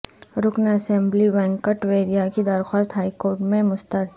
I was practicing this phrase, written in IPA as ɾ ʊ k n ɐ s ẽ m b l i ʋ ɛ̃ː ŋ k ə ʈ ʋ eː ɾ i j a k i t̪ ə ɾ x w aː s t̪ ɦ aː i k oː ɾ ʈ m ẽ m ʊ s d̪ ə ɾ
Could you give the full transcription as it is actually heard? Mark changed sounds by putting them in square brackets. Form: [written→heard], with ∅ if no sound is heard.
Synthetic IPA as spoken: ɾ ʊ k n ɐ s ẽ m b l i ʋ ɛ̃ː ŋ k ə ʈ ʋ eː ɾ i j a k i [t̪→d̪] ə ɾ x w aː s t̪ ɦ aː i k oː ɾ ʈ m ẽ m ʊ s [d̪→t̪] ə ɾ